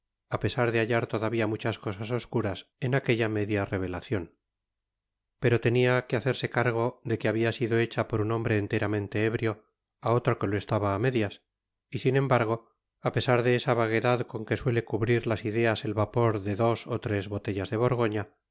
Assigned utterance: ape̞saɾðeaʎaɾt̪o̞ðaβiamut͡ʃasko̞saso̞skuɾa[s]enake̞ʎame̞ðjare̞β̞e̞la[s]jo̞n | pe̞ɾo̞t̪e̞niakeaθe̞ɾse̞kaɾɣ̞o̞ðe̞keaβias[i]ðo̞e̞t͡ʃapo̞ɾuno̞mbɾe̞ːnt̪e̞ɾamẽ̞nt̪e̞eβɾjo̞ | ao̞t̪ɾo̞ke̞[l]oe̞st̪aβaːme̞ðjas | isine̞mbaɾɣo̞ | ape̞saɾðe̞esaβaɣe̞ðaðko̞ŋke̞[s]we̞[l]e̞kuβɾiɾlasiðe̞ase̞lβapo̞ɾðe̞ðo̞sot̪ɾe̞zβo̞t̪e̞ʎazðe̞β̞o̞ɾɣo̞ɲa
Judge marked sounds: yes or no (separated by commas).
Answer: yes, no, yes, yes, yes, yes